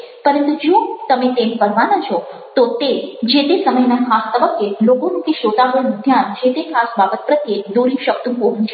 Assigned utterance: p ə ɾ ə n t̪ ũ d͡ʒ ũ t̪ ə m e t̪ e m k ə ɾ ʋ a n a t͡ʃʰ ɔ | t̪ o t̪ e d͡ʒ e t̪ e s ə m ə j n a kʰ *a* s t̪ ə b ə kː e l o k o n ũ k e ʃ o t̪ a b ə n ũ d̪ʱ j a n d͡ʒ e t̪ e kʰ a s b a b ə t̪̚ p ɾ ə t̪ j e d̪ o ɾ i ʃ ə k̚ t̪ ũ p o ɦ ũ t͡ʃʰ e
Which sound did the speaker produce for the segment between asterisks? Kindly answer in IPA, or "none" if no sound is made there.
a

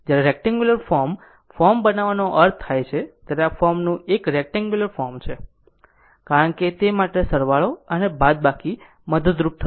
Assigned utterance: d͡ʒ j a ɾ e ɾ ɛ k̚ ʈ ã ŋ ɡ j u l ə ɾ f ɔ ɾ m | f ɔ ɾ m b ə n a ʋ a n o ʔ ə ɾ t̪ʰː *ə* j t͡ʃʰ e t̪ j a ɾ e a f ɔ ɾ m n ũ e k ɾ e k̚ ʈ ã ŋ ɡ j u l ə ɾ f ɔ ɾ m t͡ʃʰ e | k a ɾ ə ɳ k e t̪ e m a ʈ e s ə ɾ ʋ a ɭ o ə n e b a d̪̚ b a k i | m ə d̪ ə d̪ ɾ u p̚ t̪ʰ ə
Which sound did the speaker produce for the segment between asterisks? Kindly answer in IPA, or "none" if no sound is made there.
a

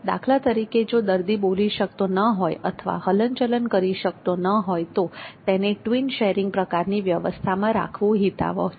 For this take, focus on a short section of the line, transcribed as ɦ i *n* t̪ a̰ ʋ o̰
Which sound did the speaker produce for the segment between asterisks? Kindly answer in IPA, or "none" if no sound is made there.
none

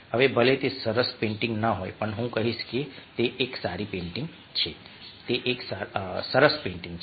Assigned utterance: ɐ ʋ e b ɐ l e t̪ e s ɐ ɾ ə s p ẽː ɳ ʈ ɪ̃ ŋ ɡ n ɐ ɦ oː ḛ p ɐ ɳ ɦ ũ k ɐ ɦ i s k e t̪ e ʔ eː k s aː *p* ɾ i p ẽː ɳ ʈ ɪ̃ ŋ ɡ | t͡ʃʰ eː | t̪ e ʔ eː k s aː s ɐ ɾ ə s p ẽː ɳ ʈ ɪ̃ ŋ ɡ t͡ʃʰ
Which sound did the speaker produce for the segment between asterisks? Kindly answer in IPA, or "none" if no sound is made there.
none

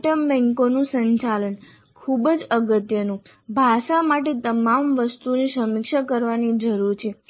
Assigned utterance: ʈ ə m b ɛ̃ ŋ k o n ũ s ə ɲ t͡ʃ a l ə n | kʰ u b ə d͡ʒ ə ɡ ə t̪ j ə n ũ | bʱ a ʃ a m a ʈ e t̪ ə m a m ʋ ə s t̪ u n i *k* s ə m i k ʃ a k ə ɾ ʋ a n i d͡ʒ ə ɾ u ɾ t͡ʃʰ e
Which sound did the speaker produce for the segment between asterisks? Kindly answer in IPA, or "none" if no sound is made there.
none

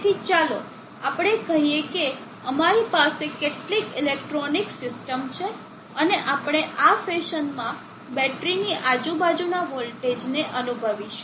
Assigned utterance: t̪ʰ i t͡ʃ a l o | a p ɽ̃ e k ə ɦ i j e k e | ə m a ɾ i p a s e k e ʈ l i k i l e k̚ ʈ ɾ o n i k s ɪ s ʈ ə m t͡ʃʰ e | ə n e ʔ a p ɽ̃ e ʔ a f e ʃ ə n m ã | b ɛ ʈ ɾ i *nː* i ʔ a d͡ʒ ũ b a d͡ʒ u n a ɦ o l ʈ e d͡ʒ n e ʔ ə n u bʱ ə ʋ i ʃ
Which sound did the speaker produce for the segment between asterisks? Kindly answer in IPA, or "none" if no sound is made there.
n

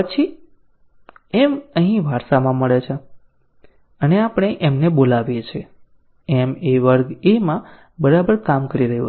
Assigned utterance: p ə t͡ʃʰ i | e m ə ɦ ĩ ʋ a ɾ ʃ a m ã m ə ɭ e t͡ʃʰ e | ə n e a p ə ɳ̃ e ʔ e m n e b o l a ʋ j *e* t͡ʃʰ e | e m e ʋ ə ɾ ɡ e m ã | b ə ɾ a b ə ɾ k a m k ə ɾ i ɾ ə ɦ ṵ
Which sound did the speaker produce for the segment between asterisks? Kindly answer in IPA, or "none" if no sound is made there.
e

